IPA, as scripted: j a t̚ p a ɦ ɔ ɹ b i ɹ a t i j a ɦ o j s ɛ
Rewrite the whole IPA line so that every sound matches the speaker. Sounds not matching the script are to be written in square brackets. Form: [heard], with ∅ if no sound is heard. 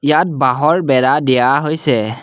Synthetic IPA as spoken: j a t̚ [b] a ɦ ɔ ɹ b [ɛ] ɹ a [d] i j a ɦ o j s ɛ